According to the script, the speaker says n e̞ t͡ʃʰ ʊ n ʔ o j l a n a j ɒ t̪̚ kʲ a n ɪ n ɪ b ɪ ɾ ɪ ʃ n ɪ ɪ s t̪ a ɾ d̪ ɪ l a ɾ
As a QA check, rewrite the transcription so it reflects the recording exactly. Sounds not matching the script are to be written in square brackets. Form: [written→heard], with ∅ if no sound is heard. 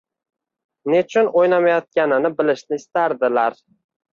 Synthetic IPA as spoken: n e̞ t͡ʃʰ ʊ n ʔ o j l a [n→m] a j ɒ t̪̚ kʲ a n ɪ n ɪ b ɪ [ɾ→l] ɪ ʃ n ɪ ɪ s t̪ a ɾ d̪ ɪ l a ɾ